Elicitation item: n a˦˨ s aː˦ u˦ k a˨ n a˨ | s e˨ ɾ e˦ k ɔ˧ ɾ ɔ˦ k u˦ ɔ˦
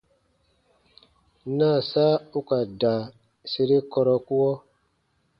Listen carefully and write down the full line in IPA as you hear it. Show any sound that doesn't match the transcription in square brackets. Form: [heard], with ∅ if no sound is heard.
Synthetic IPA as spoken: n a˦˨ s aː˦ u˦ k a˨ [d] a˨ | s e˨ ɾ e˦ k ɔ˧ ɾ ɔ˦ k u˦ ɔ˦